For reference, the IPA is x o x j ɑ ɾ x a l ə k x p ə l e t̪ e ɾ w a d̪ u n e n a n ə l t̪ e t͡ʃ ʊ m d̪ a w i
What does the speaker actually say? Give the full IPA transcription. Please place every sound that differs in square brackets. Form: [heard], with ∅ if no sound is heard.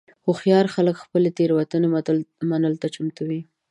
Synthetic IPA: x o x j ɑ ɾ x a l ə k x p ə l e t̪ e ɾ w a [t̪] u n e [m] a n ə l t̪ [a] t͡ʃ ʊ m [t̪] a w i